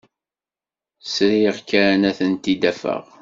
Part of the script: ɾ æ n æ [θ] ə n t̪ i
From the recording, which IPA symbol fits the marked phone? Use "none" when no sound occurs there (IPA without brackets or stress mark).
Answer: θ